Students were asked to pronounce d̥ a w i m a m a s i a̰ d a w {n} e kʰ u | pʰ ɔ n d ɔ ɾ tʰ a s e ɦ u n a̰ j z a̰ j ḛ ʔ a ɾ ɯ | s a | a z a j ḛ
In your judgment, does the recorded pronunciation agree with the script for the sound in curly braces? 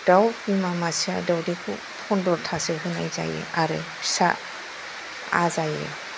no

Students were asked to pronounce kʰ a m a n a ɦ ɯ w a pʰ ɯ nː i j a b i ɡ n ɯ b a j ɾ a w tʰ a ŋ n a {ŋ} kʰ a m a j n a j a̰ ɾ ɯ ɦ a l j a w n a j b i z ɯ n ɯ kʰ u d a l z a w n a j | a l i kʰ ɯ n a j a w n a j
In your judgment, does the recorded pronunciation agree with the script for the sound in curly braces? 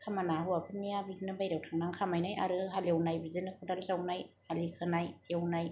yes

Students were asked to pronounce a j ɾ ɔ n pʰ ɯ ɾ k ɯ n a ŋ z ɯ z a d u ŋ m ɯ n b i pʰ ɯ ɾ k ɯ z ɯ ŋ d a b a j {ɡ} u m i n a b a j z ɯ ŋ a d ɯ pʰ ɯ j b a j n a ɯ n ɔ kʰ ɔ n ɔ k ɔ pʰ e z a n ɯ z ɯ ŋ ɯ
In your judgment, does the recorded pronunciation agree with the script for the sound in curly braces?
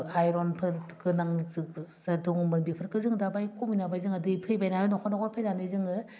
no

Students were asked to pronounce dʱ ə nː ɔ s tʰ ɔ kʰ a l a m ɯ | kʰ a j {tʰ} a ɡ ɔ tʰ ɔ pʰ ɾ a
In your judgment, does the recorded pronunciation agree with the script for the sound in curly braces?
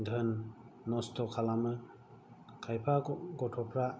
no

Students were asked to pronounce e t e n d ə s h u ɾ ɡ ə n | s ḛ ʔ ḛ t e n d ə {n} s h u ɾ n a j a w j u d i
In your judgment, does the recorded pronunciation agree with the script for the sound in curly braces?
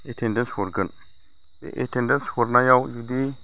yes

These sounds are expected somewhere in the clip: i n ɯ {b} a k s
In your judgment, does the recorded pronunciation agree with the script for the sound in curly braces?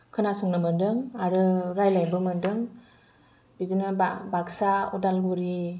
yes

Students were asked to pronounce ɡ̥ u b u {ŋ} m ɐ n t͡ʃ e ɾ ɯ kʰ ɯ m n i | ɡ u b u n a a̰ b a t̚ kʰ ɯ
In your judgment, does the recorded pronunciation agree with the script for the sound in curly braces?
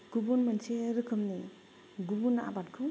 no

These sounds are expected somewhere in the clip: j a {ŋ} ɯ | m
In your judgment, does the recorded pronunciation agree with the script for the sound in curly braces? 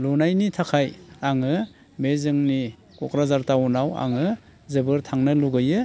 yes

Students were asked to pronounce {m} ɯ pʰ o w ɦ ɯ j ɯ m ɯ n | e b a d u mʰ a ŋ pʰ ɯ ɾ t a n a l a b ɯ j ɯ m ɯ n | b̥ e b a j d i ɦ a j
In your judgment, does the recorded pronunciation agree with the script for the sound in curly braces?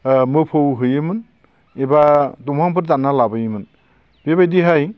yes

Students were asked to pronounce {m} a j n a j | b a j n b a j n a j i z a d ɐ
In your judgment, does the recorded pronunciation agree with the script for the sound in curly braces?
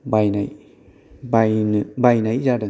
no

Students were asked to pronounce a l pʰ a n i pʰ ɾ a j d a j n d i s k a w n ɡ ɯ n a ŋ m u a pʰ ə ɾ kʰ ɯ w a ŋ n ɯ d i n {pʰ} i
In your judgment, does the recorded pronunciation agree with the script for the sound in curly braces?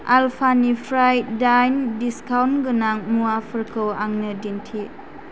no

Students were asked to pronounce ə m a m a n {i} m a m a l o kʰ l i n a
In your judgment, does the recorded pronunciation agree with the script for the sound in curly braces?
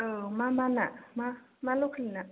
no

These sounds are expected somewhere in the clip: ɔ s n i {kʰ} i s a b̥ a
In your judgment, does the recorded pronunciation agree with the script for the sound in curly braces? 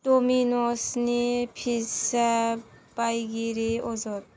no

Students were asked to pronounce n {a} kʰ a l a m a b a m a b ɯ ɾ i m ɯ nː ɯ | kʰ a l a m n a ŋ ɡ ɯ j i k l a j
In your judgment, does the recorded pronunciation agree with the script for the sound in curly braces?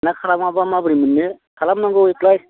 yes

